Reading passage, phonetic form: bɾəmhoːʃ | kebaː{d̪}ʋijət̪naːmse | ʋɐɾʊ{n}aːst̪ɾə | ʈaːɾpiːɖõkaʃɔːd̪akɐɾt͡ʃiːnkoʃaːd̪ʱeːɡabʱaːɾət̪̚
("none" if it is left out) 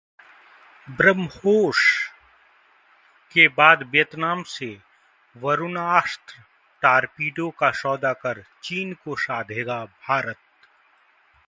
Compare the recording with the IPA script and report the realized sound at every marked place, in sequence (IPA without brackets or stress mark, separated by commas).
d̪, n